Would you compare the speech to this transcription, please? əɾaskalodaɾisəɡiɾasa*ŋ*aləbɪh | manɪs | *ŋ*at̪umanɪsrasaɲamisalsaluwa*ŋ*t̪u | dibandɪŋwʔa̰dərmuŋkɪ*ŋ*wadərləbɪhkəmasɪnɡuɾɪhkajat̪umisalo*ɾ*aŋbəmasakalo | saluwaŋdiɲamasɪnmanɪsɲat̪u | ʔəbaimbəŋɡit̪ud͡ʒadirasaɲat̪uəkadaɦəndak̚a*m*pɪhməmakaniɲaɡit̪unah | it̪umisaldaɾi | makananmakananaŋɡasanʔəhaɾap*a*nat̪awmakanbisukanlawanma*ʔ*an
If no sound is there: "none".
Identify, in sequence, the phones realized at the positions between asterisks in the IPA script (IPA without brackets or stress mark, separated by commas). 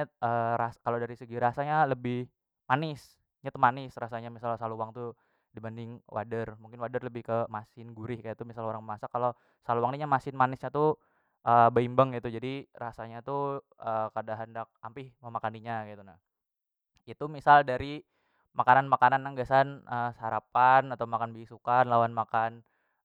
ɲ, ɲ, ŋ, n, ɾ, m, a, k